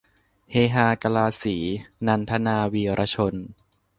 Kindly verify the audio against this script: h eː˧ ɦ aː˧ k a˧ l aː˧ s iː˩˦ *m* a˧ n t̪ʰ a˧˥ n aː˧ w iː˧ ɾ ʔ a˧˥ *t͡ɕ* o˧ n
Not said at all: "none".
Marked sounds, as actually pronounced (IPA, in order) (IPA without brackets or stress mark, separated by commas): n, t͡ɕʰ